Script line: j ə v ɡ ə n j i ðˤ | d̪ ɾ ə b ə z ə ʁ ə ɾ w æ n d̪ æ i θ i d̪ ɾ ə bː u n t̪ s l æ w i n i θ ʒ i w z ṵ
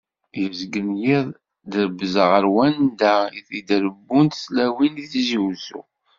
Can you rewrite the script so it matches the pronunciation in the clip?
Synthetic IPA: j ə z ɡ ə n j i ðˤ | d̪ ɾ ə b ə z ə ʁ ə ɾ w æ n d̪ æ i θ i d̪ ɾ ə bː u n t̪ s l æ w i n i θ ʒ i w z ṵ